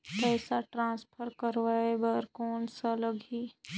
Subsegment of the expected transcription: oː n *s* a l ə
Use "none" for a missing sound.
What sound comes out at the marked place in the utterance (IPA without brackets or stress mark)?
s